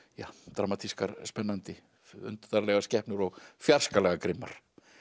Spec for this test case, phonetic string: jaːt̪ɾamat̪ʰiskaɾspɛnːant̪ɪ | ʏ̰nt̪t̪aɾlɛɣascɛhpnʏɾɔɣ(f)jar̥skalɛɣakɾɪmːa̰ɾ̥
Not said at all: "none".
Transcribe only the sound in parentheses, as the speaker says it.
f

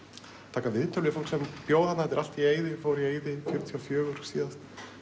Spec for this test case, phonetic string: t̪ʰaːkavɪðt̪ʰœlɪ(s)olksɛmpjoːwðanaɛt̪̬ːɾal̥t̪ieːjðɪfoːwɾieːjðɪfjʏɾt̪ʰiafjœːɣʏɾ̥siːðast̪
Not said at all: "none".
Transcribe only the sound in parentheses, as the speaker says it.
f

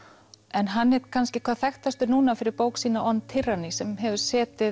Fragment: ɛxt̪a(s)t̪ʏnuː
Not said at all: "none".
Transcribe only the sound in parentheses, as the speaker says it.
s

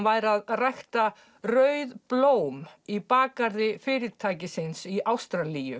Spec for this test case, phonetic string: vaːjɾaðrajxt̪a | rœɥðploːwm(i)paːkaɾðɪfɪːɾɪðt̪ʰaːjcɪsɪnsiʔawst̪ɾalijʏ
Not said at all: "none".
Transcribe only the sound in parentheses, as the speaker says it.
i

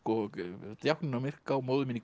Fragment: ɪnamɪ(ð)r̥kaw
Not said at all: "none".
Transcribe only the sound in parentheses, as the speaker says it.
none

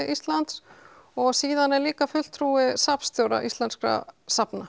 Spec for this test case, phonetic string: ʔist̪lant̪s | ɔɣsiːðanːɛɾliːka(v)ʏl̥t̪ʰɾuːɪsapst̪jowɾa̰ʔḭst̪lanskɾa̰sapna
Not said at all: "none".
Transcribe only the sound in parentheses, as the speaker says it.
f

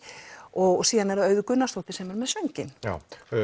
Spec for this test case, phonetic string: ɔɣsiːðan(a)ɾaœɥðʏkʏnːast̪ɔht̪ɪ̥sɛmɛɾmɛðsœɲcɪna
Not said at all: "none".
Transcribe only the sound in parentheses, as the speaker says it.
ɛ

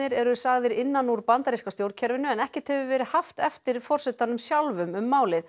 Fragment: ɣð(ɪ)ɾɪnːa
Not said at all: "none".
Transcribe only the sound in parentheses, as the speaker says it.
ɪ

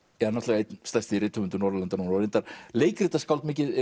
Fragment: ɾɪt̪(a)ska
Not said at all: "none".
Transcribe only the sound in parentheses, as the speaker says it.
a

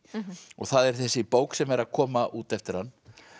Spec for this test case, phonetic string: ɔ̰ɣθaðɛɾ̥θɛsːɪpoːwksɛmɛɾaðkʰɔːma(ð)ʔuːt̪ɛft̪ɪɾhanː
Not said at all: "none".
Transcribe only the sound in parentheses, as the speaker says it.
none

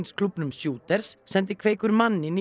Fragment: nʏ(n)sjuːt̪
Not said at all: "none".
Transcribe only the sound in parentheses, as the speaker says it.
m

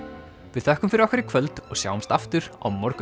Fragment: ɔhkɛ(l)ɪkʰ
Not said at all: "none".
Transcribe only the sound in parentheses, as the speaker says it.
ɾ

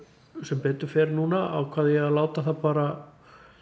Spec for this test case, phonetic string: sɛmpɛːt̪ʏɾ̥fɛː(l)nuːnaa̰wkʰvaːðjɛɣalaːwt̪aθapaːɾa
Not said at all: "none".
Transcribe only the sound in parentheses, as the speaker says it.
ɾ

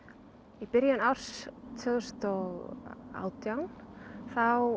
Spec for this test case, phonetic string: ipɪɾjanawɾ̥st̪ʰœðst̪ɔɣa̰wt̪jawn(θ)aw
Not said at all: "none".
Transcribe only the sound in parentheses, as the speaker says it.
θ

